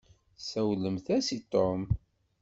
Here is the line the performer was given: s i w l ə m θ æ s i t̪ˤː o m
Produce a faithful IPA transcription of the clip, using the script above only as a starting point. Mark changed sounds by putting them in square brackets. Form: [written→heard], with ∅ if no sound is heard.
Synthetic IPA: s [i→æ] w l ə m θ æ s i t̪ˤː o m